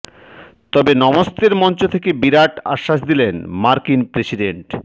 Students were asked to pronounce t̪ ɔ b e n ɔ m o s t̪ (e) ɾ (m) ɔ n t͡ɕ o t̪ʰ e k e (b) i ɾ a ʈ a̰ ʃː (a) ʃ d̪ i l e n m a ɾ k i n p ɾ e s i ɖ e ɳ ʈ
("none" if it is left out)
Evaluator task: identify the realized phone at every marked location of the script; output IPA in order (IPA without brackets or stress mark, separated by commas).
e, m, b, a